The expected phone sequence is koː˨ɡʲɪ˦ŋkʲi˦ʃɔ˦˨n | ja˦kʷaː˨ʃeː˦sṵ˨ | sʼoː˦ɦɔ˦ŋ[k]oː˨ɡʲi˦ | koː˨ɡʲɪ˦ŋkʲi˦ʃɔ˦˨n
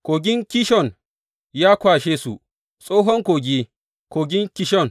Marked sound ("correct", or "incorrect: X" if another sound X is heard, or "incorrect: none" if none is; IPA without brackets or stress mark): correct